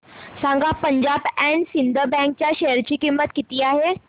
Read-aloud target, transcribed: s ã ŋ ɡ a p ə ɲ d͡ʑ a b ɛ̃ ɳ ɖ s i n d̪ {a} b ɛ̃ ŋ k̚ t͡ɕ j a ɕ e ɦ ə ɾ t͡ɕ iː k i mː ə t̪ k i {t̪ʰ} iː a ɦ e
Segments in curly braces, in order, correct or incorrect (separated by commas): incorrect, incorrect